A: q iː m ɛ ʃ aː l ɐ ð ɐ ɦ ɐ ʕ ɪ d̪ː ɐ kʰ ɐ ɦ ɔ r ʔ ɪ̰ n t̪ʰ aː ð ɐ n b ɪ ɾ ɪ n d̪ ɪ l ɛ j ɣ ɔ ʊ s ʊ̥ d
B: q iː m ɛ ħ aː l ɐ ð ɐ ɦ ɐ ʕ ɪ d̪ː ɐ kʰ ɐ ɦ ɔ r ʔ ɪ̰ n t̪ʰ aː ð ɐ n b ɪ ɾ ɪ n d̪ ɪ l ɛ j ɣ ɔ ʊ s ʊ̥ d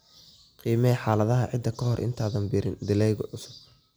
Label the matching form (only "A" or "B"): B